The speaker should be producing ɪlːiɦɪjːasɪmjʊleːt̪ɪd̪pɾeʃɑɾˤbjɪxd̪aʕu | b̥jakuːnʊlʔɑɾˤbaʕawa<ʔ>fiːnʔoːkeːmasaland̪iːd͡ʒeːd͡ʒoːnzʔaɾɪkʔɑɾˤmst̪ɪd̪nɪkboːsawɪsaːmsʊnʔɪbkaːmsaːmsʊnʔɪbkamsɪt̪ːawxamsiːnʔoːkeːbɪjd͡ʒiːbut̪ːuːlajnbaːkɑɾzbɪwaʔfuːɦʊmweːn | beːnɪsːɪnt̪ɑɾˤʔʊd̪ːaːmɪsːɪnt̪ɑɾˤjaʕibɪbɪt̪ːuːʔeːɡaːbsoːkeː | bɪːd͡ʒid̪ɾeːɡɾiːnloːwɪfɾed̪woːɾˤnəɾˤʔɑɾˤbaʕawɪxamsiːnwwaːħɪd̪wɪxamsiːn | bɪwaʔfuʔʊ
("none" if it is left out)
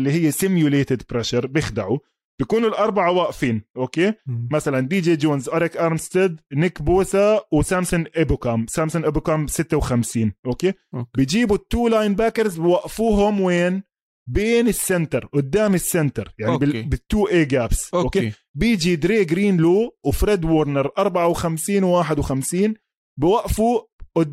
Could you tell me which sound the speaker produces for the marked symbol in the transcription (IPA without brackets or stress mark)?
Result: ʔ